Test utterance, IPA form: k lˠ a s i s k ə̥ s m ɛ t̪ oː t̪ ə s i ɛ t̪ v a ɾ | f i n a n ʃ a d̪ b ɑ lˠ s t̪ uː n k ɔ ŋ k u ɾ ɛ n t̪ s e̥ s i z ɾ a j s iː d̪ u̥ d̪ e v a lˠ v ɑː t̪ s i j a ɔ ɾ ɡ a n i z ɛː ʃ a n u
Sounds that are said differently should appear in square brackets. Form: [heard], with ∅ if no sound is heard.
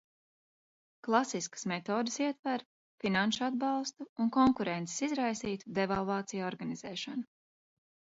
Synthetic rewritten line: k lˠ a s i s k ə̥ s m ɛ t̪ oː [d̪] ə s i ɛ t̪ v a ɾ | f i n a n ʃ a d̪ b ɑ lˠ s t̪ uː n k ɔ ŋ k u ɾ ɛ n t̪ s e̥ s i z ɾ a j s iː [t̪] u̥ d̪ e v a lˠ v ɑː t̪ s i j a ɔ ɾ ɡ a n i z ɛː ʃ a n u